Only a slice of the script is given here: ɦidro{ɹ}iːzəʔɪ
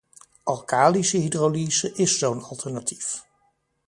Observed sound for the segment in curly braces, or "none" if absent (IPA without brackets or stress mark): l